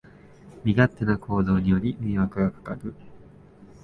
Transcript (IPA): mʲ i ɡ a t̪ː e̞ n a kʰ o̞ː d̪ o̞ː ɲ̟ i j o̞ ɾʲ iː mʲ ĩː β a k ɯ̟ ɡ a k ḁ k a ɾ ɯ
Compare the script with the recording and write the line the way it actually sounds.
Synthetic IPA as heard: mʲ i ɡ a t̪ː e̞ n a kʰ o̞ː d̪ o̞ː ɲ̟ i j o̞ ɾʲ i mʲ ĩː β a k ɯ̟ ɡ a k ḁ k a ɾ ɯ